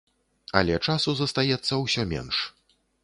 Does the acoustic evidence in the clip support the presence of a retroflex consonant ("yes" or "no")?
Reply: yes